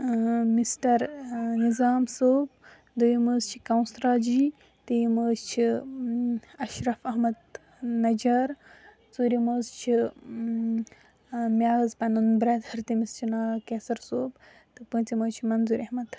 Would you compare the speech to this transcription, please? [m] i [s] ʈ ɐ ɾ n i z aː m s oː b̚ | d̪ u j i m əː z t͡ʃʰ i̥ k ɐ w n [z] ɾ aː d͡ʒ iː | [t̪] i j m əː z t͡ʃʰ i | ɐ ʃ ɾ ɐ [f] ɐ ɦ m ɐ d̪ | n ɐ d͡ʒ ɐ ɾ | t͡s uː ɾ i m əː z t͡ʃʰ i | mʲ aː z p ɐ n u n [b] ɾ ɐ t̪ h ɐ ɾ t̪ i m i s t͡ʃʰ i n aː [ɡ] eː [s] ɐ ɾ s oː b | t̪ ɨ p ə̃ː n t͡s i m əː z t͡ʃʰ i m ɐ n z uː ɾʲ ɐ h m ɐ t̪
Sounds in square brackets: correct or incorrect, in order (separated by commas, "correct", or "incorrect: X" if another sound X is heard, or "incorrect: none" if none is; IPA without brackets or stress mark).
correct, correct, incorrect: s, correct, correct, correct, incorrect: k, correct